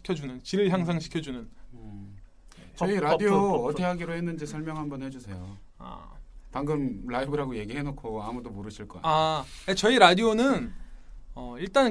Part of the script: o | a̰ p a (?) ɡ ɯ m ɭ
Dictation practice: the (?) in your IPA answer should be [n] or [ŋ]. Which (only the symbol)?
ŋ